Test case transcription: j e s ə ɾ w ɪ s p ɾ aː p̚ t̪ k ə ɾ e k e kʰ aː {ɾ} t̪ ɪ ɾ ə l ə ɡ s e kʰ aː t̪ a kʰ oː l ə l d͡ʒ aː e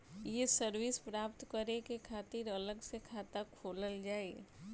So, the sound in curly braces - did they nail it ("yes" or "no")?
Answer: no